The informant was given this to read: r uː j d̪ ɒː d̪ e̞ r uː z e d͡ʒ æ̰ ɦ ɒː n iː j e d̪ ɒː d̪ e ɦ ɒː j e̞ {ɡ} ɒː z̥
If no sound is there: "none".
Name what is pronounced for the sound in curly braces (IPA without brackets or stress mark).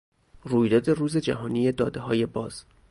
b